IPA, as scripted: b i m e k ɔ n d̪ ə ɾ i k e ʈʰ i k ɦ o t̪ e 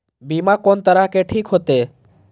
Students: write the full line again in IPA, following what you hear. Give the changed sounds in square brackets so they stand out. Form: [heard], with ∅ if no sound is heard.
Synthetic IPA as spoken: b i m [a] k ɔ n [t̪] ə ɾ [a] k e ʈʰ i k ɦ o t̪ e